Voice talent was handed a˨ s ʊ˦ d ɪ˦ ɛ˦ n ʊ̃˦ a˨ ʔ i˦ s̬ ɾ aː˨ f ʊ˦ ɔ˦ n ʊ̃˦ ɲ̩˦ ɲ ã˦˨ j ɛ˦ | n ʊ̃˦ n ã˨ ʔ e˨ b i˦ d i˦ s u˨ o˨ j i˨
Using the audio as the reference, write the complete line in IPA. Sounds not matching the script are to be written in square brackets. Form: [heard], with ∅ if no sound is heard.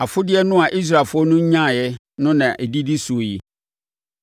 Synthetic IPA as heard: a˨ [f] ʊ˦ d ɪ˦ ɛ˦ n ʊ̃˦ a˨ ʔ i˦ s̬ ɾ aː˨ f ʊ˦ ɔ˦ n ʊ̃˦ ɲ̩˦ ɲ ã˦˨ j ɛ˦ | n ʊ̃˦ n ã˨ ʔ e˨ [d] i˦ d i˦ s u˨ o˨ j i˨

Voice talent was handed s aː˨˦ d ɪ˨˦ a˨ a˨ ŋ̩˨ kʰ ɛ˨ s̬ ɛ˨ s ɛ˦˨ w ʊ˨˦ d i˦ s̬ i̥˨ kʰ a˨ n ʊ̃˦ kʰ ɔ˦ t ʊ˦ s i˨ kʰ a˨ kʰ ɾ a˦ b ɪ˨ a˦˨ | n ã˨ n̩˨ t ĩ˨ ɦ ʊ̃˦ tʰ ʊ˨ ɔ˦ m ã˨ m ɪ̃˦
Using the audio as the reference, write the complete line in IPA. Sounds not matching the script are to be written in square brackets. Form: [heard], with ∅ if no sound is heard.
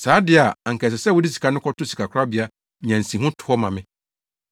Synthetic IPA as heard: s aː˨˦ d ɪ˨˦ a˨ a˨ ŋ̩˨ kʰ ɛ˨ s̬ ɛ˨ s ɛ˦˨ w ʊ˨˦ d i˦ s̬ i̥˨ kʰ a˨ n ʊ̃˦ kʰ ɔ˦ t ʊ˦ s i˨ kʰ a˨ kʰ ɾ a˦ b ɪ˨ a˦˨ | [ɲ] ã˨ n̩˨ [s] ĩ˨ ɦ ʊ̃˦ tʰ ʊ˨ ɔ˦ m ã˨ m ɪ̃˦

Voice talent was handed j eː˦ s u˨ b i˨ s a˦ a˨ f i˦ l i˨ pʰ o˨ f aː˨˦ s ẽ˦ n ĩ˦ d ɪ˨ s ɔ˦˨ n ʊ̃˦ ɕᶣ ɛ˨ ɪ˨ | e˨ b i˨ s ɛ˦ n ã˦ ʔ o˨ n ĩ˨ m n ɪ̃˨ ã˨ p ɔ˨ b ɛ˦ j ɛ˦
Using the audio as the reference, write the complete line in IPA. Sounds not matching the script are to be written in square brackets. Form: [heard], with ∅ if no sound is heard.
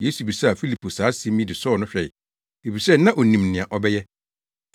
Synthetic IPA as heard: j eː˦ s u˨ b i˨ s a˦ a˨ f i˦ l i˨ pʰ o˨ [s] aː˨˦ s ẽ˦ [m] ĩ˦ d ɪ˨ s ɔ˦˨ n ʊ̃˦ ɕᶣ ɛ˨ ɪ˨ | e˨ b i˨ s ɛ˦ n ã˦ ʔ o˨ n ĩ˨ m n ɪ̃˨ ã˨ [ʔ] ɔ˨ b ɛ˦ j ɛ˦

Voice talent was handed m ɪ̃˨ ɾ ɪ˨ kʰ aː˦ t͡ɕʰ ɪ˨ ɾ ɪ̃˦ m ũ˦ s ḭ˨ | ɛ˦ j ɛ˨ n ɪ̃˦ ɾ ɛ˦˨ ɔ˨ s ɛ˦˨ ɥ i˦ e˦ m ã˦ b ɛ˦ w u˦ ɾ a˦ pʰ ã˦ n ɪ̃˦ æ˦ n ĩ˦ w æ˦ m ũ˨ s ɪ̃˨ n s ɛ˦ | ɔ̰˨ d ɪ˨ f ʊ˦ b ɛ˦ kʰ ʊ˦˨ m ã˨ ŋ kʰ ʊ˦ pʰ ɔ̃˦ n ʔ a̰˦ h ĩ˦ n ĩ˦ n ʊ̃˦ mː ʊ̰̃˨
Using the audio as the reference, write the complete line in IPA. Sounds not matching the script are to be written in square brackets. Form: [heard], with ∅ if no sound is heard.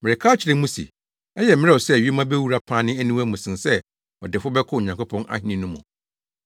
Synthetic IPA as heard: m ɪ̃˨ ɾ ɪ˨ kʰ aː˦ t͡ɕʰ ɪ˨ ɾ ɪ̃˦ m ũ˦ s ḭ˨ | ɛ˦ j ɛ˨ [m] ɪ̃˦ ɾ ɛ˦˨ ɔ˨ s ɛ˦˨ ɥ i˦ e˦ m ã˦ b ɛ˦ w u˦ ɾ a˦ pʰ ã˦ n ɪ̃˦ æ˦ n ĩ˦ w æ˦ m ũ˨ s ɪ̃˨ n s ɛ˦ | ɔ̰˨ d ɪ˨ f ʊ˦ b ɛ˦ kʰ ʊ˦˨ [ɲ] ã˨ ŋ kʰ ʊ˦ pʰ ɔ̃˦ n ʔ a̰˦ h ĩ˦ n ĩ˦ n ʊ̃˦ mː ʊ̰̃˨

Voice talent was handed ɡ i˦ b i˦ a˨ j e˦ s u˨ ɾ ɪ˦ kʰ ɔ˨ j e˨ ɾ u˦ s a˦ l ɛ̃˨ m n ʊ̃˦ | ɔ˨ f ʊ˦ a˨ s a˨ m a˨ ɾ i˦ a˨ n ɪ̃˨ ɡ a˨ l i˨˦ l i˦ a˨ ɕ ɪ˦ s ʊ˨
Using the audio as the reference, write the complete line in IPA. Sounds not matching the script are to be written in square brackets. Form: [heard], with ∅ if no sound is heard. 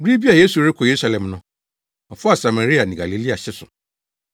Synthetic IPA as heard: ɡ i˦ b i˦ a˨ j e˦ s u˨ ɾ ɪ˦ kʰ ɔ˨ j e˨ ɾ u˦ s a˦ l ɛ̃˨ m n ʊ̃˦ | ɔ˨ f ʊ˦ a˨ s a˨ m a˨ ɾ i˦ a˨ n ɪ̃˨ ɡ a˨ l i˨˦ l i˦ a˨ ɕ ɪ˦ s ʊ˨

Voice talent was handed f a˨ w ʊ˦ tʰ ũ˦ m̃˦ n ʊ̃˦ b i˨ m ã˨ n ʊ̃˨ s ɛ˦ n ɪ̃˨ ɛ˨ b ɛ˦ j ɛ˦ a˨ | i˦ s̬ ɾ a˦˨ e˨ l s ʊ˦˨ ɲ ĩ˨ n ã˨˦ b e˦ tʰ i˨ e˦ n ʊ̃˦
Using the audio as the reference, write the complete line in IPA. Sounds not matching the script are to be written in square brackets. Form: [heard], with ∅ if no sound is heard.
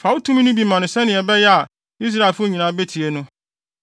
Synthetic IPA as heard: f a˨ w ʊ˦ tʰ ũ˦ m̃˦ n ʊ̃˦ b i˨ m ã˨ n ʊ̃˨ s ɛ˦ n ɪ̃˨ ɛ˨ b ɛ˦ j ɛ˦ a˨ | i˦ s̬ ɾ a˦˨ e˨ l [f] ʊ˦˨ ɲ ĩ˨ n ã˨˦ b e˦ tʰ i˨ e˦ n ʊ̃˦

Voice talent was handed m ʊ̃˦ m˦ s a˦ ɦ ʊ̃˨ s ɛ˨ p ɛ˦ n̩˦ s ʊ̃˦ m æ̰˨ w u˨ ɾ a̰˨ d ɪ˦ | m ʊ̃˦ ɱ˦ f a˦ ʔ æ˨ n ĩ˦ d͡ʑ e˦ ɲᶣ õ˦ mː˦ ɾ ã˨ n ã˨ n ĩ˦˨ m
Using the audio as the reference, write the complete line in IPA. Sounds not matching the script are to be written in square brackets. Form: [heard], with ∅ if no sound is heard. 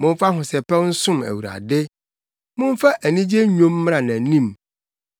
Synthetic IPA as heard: m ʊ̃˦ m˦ [f] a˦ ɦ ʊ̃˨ s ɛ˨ p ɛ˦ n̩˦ s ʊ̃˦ m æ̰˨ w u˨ ɾ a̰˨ d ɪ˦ | m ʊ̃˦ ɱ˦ f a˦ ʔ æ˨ n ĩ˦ d͡ʑ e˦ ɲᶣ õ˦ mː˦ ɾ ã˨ n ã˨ n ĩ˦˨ m

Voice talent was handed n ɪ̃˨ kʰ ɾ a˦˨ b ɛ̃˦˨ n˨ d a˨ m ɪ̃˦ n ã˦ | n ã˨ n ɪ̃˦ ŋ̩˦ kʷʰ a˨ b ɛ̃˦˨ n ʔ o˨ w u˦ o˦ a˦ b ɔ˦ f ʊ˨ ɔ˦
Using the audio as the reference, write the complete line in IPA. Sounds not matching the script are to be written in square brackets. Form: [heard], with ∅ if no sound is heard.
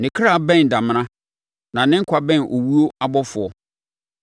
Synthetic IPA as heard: n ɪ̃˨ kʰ ɾ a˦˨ b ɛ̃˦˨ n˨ d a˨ m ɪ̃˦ n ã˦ | n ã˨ n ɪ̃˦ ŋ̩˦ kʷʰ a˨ b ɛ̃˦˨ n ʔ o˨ w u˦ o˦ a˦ b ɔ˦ f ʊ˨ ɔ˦

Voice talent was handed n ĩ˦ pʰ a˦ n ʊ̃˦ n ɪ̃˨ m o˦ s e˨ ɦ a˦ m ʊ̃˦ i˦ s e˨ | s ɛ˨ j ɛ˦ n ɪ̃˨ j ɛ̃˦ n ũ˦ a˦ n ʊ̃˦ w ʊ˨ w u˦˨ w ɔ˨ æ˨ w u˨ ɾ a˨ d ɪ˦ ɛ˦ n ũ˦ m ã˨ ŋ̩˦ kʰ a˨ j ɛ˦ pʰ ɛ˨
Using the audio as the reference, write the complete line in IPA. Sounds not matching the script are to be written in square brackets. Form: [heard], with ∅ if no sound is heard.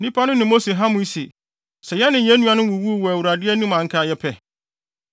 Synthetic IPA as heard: n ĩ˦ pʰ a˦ n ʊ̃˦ n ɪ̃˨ m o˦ s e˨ ɦ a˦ m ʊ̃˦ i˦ s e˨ | s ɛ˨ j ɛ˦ n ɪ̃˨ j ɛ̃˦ n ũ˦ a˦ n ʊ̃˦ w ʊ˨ w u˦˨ w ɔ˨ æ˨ w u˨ ɾ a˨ d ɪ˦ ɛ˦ n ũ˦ m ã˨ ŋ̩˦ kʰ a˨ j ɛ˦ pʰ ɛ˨

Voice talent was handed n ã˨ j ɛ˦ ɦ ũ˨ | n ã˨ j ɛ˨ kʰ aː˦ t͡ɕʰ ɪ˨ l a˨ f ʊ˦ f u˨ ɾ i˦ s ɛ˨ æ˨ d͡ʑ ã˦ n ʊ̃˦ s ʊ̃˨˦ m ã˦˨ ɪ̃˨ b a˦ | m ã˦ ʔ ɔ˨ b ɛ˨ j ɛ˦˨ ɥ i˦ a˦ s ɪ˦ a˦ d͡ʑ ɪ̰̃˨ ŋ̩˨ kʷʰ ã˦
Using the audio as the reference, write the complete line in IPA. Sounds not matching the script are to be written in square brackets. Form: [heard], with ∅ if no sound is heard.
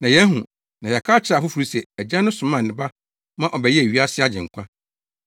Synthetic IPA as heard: n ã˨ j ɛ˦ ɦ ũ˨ | n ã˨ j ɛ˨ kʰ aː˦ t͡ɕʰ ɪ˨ [ɾ] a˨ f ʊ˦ f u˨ ɾ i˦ s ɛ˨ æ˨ d͡ʑ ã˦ n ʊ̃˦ s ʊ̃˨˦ m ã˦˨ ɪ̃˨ b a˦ | m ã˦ ʔ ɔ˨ b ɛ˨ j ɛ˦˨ ɥ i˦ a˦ s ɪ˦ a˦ d͡ʑ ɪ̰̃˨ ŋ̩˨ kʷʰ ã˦

